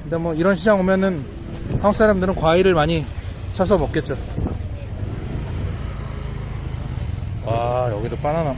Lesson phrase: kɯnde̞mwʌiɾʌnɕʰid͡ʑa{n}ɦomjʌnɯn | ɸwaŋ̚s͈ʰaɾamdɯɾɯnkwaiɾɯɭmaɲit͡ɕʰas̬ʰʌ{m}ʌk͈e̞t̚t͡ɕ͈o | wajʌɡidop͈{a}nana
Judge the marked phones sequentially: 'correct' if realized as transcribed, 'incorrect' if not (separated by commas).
incorrect, correct, correct